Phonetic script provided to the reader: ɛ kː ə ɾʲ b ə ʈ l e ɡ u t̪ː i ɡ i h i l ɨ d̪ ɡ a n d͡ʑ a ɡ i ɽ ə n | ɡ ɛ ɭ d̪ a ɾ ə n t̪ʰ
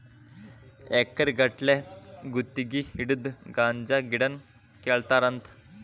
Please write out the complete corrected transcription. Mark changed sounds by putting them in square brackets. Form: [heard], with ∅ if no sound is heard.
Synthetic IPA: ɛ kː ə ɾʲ [ɡ] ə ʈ l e ɡ u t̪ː i ɡ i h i [ɽ] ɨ d̪ ɡ a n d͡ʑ a ɡ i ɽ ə n | [k] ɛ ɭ [t̪] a ɾ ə n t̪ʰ

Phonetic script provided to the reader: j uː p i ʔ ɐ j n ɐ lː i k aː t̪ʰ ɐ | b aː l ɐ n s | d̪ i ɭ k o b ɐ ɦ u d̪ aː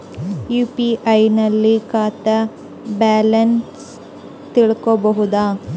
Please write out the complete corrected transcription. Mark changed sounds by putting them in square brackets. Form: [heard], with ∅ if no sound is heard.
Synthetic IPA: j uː p i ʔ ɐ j n ɐ lː i k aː [t̪] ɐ | b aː l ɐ n s | [t̪] i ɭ k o b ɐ ɦ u d̪ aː

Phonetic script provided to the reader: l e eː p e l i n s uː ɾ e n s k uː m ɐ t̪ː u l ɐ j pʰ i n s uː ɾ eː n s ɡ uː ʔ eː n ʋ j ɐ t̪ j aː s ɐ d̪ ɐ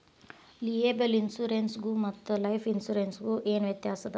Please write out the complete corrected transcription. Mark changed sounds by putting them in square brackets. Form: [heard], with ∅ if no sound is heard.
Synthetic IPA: l [i] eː [b] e l i n s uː ɾ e n s [ɡ] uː m ɐ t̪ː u l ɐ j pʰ i n s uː ɾ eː n s ɡ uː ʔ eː n ʋ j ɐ t̪ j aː s ɐ d̪ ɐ

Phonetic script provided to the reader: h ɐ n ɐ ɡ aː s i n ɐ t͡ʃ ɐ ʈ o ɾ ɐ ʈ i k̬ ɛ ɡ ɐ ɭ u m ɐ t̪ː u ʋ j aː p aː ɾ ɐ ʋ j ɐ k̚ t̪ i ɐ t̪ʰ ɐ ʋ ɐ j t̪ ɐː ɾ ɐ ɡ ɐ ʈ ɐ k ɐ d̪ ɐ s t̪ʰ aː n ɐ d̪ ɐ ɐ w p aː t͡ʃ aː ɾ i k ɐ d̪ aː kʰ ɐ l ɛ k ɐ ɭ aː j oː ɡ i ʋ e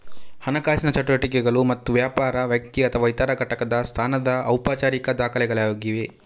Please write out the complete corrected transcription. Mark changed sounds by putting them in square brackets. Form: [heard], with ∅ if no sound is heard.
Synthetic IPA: h ɐ n ɐ [k] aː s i n ɐ t͡ʃ ɐ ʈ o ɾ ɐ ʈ i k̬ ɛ ɡ ɐ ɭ u m ɐ t̪ː u ʋ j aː p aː ɾ ɐ ʋ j ɐ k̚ t̪ i ɐ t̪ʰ ɐ ʋ ɐ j t̪ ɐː ɾ ɐ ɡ ɐ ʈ ɐ k ɐ d̪ ɐ s t̪ʰ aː n ɐ d̪ ɐ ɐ w p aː t͡ʃ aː ɾ i k ɐ d̪ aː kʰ ɐ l ɛ [ɡ] ɐ ɭ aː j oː ɡ i ʋ e

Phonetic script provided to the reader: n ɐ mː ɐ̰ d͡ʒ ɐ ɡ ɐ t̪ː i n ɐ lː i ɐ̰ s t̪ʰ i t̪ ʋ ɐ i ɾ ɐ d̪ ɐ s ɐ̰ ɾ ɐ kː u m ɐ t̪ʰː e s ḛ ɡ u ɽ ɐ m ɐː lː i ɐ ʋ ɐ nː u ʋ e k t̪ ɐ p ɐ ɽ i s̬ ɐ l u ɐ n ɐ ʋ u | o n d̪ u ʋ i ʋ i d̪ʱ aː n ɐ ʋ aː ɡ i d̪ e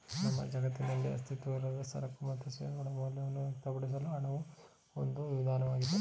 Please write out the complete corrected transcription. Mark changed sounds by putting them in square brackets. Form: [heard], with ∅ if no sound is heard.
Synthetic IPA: n ɐ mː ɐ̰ d͡ʒ ɐ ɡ ɐ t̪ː i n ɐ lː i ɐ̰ s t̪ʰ i t̪ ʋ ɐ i ɾ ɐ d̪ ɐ s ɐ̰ ɾ ɐ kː u m ɐ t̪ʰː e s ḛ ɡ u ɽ ɐ m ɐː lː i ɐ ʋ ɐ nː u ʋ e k t̪ ɐ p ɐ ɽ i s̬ ɐ l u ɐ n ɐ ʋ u | o n d̪ u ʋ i ʋ i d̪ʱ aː n ɐ ʋ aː ɡ i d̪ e

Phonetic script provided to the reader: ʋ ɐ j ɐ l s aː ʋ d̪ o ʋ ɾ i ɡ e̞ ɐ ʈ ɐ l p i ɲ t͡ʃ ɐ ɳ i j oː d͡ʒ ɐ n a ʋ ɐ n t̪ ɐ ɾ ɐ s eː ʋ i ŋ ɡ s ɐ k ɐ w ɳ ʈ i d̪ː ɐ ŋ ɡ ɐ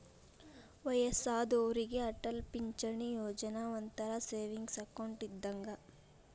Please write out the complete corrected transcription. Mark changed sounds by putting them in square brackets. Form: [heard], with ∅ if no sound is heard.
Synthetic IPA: ʋ ɐ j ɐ [∅] s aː [∅] d̪ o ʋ ɾ i ɡ e̞ ɐ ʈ ɐ l p i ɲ t͡ʃ ɐ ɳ i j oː d͡ʒ ɐ n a ʋ ɐ n t̪ ɐ ɾ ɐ s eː ʋ i ŋ ɡ s ɐ k ɐ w ɳ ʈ i d̪ː ɐ ŋ ɡ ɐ

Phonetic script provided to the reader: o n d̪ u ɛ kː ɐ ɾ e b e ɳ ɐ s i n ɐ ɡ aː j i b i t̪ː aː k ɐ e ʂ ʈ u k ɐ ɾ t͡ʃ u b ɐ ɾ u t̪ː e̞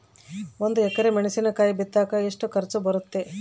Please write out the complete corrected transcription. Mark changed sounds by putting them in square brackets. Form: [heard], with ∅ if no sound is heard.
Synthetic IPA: o n d̪ u ɛ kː ɐ ɾ e [m] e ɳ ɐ s i n ɐ [k] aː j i b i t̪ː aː k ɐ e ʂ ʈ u k ɐ ɾ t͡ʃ u b ɐ ɾ u t̪ː e̞

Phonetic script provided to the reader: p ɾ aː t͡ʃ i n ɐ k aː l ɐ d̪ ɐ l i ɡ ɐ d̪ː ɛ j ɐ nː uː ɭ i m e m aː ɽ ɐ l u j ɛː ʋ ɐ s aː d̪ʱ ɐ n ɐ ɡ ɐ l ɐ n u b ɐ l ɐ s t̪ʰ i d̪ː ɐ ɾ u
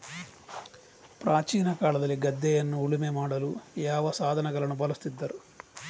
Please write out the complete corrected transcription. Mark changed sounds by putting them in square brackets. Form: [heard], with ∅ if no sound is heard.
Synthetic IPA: p ɾ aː t͡ʃ [iː] n ɐ k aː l ɐ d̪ ɐ l i ɡ ɐ d̪ː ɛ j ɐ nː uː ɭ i m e m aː ɽ ɐ l u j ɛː ʋ ɐ s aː d̪ʱ ɐ n ɐ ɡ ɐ l ɐ n u b ɐ l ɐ s [t̪] i d̪ː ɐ ɾ u

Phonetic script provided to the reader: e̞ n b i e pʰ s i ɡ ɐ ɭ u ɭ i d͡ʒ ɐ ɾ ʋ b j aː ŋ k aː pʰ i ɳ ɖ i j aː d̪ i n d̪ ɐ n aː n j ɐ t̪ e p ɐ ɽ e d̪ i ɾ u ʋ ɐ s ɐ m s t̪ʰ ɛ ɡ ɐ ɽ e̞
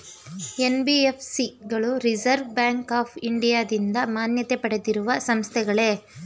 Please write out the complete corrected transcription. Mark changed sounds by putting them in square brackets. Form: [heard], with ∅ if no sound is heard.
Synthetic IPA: e̞ n b i e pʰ s i ɡ ɐ ɭ u [ɾ] i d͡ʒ ɐ ɾ ʋ b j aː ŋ k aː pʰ i ɳ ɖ i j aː d̪ i n d̪ ɐ [m] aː n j ɐ t̪ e p ɐ ɽ e d̪ i ɾ u ʋ ɐ s ɐ m s t̪ʰ ɛ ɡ ɐ [ɭ] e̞

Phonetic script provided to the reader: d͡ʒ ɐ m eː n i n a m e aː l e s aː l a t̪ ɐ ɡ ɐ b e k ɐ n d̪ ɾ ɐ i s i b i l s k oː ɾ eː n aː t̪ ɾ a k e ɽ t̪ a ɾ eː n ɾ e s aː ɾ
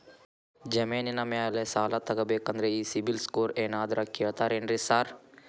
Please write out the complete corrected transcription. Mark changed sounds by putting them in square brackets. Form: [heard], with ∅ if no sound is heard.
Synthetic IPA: d͡ʒ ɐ m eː n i n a m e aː l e s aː l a t̪ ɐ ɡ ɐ b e k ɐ n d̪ ɾ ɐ i s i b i l s k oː ɾ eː n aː [d̪] ɾ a k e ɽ t̪ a ɾ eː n ɾ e s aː ɾ

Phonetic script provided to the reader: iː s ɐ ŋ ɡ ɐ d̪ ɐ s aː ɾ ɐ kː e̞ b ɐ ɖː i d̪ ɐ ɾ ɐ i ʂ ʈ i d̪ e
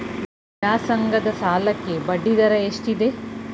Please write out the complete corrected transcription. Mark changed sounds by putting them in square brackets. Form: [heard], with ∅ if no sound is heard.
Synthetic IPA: [aː] s ɐ ŋ ɡ ɐ d̪ ɐ s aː [l] ɐ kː e̞ b ɐ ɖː i d̪ ɐ ɾ ɐ [e] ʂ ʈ i d̪ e

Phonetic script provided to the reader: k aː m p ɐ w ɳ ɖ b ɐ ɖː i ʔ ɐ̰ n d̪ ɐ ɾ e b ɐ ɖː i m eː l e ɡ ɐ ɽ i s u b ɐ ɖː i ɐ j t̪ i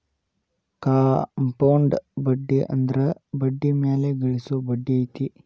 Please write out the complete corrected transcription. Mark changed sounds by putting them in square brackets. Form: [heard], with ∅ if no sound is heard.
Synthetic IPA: k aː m p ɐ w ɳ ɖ b ɐ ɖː i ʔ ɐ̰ n d̪ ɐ ɾ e b ɐ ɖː i m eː l e ɡ ɐ [ɭ] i s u b ɐ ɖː i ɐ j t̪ i

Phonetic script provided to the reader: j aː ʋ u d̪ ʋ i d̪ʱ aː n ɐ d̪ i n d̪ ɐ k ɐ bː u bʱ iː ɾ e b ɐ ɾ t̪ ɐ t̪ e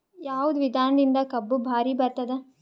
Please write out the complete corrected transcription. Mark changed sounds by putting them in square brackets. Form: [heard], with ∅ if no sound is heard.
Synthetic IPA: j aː ʋ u d̪ ʋ i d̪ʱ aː n ɐ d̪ i n d̪ ɐ k ɐ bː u bʱ [aː] ɾ [i] b ɐ ɾ t̪ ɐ [d̪] e

